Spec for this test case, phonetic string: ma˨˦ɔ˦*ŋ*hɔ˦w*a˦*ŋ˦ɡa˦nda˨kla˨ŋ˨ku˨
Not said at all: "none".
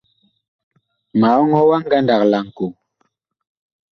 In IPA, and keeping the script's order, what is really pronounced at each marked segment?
ŋ, a˦

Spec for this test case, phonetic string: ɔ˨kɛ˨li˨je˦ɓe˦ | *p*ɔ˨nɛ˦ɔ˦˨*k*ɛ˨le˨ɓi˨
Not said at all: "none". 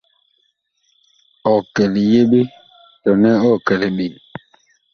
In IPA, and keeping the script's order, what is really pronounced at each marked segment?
t, k

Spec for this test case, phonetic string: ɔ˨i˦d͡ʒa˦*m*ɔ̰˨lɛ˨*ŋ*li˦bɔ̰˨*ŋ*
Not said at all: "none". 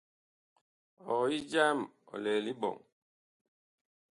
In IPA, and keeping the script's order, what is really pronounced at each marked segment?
m, none, ŋ

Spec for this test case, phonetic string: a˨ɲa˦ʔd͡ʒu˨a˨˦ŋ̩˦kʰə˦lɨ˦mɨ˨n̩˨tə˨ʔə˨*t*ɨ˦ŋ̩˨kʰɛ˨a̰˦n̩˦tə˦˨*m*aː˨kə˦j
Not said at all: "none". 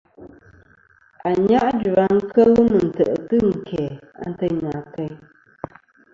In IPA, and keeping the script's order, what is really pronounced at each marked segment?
t, ɲ

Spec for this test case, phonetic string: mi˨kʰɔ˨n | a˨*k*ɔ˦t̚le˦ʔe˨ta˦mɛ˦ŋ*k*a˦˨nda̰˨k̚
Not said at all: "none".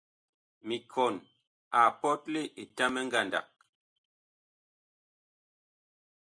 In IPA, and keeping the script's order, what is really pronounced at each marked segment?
p, ɡ

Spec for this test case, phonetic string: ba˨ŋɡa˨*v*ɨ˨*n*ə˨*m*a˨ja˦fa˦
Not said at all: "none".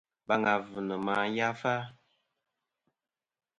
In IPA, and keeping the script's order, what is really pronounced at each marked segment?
v, n, m

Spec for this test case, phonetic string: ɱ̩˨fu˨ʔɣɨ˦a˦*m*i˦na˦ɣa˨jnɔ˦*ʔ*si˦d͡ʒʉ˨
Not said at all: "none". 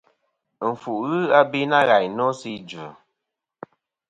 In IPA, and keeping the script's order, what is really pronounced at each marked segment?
b, none

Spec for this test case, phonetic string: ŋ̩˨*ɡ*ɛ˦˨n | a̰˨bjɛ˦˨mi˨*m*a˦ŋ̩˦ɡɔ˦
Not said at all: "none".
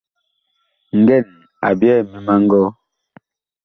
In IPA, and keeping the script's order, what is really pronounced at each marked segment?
ɡ, m

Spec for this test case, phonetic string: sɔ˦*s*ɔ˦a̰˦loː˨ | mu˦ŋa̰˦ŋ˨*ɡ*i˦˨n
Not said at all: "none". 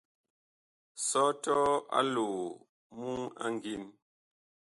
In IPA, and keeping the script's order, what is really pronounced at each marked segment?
t, ɡ

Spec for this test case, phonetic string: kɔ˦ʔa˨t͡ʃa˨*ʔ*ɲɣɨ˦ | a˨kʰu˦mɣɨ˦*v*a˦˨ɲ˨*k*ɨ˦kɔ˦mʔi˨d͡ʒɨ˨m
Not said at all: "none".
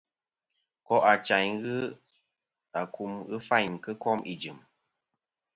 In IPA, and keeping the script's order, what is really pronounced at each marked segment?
none, f, k

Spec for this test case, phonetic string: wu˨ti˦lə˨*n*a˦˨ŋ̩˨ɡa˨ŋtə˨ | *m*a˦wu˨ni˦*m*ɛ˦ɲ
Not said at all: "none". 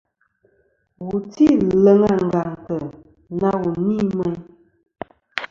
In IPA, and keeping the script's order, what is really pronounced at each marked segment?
ŋ, n, m

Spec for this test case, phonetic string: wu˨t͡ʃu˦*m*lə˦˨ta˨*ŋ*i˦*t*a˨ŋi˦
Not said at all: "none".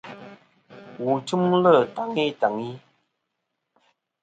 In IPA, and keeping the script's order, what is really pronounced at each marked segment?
m, ŋ, t

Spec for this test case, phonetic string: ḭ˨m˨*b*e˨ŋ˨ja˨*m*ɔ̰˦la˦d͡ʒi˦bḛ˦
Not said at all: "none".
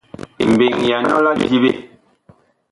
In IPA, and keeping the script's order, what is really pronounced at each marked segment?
b, n

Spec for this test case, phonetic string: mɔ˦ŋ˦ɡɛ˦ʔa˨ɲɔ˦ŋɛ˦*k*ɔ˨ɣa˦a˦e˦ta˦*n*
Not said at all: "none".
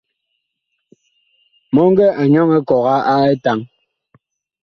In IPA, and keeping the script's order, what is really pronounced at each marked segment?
k, ŋ

